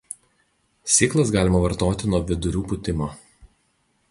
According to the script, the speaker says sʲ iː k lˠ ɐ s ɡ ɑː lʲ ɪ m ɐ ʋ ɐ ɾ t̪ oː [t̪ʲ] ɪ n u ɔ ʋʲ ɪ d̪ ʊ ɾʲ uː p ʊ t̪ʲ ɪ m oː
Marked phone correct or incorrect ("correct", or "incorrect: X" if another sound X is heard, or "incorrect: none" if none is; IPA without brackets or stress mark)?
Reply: correct